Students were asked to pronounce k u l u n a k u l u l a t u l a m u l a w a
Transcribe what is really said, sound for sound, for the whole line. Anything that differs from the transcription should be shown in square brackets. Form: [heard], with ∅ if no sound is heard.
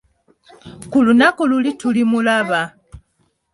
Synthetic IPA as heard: k u l u n a k u l u l [i] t u l [i] m u l a [β] a